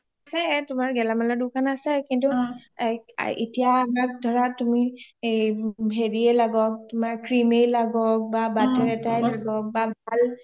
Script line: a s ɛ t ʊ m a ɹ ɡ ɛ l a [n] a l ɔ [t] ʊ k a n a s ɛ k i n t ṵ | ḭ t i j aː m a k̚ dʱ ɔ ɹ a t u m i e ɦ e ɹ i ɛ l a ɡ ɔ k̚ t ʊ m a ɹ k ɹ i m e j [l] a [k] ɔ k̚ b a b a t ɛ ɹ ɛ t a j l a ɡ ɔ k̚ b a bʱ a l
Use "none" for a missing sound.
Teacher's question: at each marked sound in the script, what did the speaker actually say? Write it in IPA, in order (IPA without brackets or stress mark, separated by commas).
m, d, l, ɡ